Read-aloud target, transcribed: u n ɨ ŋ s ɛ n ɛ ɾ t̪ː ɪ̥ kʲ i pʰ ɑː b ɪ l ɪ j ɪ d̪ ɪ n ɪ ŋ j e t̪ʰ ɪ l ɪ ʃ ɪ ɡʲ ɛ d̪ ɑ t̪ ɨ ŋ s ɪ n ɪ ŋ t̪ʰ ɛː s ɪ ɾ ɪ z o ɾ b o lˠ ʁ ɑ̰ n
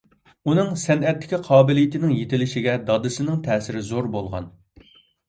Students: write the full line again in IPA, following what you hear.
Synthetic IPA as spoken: u n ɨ ŋ s ɛ n ɛ t̪ː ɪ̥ kʲ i qʰ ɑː b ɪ l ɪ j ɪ t̪ ɪ n ɪ ŋ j e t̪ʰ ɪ l ɪ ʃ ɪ ɡʲ ɛ d̪ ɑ d̪ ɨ s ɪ n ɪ ŋ t̪ʰ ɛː s ɪ ɾ ɪ z o ɾ b o lˠ ʁ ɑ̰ n